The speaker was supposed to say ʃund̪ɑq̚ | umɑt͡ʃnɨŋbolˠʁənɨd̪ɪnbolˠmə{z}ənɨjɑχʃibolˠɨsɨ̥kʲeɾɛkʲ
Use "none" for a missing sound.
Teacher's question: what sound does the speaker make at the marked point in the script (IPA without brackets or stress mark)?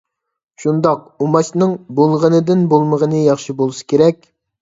ʁ